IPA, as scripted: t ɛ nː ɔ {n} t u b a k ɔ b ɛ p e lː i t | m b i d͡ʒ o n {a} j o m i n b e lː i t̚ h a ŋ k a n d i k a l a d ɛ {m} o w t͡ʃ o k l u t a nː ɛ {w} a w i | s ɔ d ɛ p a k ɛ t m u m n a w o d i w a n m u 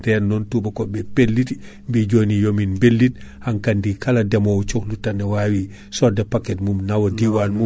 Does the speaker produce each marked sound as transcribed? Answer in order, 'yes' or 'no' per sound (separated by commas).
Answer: yes, no, yes, yes